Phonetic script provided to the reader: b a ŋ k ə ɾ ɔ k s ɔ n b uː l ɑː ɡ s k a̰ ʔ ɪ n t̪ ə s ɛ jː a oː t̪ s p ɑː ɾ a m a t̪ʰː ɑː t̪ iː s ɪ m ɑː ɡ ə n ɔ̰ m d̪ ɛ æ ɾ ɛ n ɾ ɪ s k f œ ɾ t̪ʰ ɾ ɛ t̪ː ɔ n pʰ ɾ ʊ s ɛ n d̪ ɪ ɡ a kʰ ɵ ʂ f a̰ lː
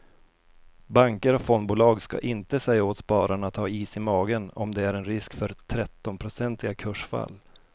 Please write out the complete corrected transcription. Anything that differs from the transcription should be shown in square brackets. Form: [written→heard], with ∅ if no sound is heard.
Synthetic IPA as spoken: b a ŋ k ə ɾ ɔ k [s→f] ɔ n b uː l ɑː ɡ s k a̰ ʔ ɪ n t̪ ə s ɛ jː a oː t̪ s p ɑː ɾ a [m→ɳ] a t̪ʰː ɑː [t̪→∅] iː s ɪ m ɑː ɡ ə n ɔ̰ m d̪ ɛ æ ɾ ɛ n ɾ ɪ s k f œ ɾ t̪ʰ ɾ ɛ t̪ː ɔ n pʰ ɾ ʊ s ɛ n [d̪→t̪] ɪ ɡ a kʰ ɵ ʂ f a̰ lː

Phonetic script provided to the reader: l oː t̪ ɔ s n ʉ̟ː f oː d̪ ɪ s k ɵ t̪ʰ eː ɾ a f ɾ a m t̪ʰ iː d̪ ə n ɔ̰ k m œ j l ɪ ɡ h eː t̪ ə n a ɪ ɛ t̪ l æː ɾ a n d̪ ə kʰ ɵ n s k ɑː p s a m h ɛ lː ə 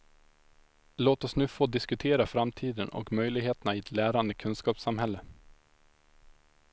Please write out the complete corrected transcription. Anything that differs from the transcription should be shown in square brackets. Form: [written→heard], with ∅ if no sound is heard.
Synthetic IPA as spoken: l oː t̪ ɔ s n ʉ̟ː f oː d̪ ɪ s k ɵ t̪ʰ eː ɾ a f ɾ a m t̪ʰ iː d̪ ə n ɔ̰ k m œ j l ɪ ɡ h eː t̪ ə n a ɪ ɛ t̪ l æː ɾ a n d̪ ə kʰ ɵ n s k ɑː p s a m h ɛ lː ə

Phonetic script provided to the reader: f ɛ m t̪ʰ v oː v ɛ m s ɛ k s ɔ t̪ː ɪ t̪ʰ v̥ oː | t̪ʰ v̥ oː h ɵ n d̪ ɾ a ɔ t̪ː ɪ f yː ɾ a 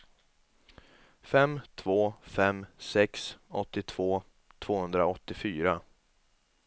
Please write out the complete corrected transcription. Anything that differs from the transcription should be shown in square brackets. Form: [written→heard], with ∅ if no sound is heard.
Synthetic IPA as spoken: f ɛ m t̪ʰ v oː [v→f] ɛ m s ɛ k s ɔ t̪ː ɪ t̪ʰ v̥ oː | t̪ʰ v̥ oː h ɵ n d̪ ɾ a ɔ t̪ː ɪ f yː ɾ a

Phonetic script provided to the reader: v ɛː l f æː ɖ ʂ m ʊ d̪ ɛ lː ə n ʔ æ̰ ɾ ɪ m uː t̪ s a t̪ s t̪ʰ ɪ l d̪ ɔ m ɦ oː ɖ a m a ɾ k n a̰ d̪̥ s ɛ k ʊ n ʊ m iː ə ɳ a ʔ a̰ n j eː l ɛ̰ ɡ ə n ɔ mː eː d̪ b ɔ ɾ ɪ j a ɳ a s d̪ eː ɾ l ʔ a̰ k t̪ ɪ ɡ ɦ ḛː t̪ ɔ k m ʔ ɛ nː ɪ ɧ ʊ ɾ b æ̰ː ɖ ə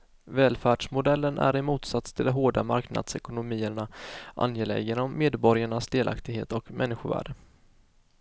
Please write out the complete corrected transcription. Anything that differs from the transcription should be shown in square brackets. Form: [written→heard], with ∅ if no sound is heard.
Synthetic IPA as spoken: v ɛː l f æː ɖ ʂ m ʊ d̪ ɛ lː ə n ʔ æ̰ ɾ ɪ m uː t̪ s a t̪ s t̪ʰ ɪ l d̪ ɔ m ɦ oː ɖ a m a ɾ k n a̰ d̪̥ s ɛ k ʊ n ʊ m iː ə ɳ a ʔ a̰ n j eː l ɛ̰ ɡ ə n ɔ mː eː d̪ b ɔ ɾ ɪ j a ɳ a s d̪ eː [ɾ→∅] l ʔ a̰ k t̪ ɪ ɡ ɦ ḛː t̪ ɔ k m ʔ ɛ nː ɪ ɧ ʊ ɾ [b→v] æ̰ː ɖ ə

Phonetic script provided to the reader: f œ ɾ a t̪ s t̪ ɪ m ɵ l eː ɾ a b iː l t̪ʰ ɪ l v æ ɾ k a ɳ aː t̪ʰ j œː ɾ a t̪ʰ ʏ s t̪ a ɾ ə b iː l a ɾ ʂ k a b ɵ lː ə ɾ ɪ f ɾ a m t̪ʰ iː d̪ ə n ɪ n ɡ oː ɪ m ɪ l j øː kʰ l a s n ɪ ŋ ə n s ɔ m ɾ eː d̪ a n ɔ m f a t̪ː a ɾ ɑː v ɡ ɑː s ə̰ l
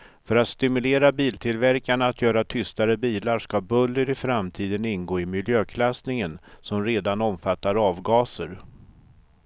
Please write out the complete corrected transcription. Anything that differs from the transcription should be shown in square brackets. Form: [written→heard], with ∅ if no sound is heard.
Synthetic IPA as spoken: f œ ɾ a t̪ s t̪ ɪ m ɵ l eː ɾ a b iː l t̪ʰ ɪ l v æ ɾ k a ɳ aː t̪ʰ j œː ɾ a t̪ʰ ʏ s t̪ a ɾ ə b iː l a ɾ ʂ k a b ɵ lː ə ɾ ɪ f ɾ a m t̪ʰ iː d̪ ə n ɪ n ɡ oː ɪ m ɪ l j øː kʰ l a s n ɪ ŋ ə n s ɔ m ɾ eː d̪ a n ɔ m f a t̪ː a ɾ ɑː v ɡ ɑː s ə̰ [l→ɾ]

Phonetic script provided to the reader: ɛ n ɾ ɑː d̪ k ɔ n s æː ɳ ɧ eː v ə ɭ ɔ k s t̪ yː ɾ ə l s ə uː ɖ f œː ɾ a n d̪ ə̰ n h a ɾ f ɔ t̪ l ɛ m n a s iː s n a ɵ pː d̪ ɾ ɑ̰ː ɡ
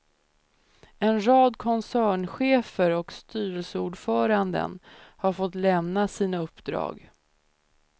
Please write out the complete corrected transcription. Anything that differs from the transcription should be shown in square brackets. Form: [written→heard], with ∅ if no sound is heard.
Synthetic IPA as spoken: ɛ n ɾ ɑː d̪ [k→kʰ] ɔ n s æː ɳ ɧ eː [v→f] ə [ɭ→ɾ] ɔ k s t̪ yː ɾ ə l s ə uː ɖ f œː ɾ a n d̪ ə̰ n h a ɾ f ɔ t̪ l ɛ m n a s iː [s→∅] n a ɵ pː d̪ ɾ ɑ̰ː ɡ

